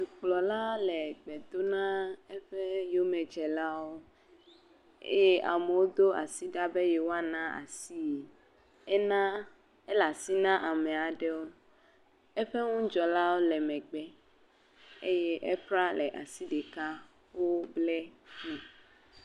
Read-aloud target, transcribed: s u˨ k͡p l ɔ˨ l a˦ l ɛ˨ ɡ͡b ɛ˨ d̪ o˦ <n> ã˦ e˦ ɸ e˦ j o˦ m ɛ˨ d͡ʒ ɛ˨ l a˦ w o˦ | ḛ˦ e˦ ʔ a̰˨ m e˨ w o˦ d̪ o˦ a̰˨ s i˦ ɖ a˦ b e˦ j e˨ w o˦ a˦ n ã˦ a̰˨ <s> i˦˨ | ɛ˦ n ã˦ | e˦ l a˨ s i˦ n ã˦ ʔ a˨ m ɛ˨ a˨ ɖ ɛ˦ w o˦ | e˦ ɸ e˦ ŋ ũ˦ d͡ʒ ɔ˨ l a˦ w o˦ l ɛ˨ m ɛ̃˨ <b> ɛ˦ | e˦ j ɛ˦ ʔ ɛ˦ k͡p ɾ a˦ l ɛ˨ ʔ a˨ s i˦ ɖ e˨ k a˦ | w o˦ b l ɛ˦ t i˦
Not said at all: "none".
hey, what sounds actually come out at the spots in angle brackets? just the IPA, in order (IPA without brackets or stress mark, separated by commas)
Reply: n, s, ɡ͡b